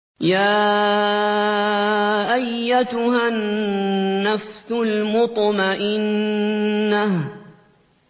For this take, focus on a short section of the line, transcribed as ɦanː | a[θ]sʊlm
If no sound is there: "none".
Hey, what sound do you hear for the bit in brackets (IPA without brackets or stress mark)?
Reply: f